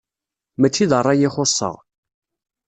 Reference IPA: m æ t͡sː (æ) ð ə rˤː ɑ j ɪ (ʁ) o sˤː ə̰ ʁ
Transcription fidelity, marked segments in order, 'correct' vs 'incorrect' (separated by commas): incorrect, incorrect